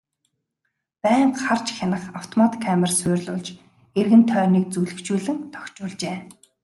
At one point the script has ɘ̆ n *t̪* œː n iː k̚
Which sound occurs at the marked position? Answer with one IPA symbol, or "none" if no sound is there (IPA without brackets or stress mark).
t̪ʰ